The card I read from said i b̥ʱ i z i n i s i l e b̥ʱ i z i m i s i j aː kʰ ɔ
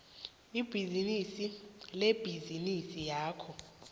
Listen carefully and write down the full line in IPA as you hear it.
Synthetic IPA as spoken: i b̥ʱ i z i n i s i l e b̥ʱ i z i n i s i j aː kʰ ɔ